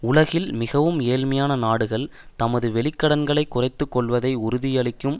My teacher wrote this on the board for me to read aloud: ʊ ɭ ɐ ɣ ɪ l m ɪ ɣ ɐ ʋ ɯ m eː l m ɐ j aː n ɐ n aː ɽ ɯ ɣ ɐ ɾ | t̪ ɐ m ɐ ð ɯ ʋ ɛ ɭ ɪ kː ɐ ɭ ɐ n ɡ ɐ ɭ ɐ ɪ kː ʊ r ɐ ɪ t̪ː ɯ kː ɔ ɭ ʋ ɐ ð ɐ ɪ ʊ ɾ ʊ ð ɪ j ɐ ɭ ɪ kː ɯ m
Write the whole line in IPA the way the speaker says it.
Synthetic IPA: ʊ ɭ ɐ ɣ ɪ l m ɪ ɣ ɐ ʋ ɯ m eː l m ɐ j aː n ɐ n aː ɽ ɯ ɣ ɐ ɭ | t̪ ɐ m ɐ ð ɯ ʋ ɛ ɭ ɪ kː ɐ ɽ ɐ n ɡ ɐ ɭ ɐ ɪ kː ʊ r ɐ ɪ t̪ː ɯ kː ɔ ɭ ʋ ɐ ð ɐ ɪ ʊ ɾ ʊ ð ɪ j ɐ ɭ ɪ kː ɯ m